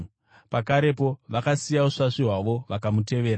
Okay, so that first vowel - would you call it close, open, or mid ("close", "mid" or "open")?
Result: open